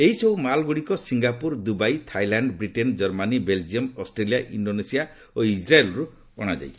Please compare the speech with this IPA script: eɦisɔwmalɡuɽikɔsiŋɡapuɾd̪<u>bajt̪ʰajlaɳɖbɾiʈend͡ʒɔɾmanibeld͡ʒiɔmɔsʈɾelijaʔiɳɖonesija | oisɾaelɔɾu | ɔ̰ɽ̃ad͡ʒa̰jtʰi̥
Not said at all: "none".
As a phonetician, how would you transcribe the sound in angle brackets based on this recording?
u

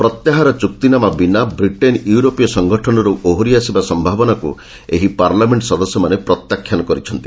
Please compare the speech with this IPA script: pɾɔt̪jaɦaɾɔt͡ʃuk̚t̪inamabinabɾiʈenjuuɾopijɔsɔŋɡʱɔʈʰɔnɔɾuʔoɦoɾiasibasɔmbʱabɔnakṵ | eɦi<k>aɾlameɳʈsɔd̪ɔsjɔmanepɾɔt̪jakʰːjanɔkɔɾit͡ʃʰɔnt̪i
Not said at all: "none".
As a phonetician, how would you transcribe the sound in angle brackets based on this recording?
p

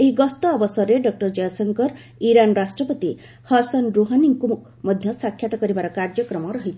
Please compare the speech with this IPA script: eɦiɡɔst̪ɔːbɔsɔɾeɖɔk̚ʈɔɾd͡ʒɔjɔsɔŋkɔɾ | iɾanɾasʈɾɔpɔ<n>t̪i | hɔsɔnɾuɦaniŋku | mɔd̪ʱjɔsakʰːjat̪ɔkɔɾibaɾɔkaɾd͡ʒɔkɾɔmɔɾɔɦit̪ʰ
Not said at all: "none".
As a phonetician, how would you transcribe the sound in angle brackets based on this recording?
none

